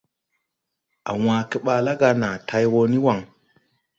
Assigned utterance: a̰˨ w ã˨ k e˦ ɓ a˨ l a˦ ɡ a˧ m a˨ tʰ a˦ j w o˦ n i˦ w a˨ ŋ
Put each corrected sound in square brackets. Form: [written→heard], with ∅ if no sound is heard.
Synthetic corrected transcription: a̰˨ w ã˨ k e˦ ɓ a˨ l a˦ ɡ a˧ [m→n] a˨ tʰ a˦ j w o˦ n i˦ w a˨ ŋ

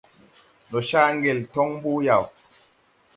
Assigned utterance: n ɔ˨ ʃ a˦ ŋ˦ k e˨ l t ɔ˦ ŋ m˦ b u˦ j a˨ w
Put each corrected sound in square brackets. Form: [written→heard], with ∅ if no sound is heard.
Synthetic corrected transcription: n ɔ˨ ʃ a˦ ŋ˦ [k→ɡ] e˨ l t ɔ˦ ŋ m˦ b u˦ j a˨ w

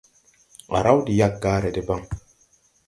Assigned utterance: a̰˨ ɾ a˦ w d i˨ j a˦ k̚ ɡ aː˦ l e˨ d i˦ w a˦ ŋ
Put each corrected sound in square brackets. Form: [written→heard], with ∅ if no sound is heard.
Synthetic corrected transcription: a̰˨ ɾ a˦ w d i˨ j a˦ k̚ ɡ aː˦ [l→ɾ] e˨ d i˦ [w→b] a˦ ŋ

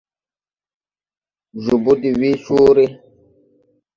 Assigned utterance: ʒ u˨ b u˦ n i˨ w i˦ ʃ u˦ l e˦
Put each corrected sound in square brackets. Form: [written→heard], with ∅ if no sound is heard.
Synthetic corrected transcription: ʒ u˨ b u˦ [n→d] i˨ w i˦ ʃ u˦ [l→ɾ] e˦

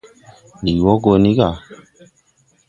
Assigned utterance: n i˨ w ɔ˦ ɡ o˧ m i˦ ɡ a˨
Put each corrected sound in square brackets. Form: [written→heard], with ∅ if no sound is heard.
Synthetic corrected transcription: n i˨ w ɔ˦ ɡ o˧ [m→n] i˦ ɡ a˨

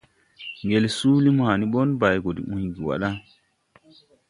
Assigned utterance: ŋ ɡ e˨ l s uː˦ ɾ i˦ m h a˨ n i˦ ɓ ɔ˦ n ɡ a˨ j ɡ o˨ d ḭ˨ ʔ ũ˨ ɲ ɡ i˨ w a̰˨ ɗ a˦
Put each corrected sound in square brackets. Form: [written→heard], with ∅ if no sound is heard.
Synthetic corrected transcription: ŋ ɡ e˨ l s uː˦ [ɾ→l] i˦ m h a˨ n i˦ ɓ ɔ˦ n [ɡ→b] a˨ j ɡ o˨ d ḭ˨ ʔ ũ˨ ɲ ɡ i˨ w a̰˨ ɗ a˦

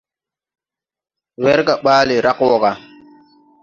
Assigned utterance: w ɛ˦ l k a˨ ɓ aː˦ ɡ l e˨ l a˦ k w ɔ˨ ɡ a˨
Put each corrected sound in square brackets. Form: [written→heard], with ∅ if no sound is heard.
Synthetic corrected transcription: w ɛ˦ [l→ɾ] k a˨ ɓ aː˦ [ɡ→∅] l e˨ [l→ɾ] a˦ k w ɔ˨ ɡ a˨

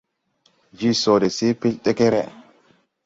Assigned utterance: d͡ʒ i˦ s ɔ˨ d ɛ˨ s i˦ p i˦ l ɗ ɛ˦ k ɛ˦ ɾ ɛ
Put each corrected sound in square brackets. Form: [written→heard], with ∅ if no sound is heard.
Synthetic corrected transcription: d͡ʒ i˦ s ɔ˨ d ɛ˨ s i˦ p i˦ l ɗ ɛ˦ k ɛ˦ ɾ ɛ

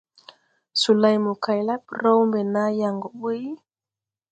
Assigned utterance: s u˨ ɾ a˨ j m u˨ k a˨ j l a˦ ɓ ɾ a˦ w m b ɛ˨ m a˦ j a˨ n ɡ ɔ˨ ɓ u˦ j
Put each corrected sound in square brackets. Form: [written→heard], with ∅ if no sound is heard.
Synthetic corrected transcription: s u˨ [ɾ→l] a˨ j m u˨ k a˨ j l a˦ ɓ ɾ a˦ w m b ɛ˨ [m→n] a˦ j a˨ [n→ŋ] ɡ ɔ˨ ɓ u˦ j

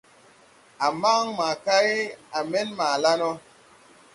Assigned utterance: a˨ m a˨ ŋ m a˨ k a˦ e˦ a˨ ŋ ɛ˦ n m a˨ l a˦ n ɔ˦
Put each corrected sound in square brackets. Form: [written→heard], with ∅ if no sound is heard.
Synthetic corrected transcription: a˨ m [a˨→a˦] ŋ m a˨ k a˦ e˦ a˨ [ŋ→m] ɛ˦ n m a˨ l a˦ n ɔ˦

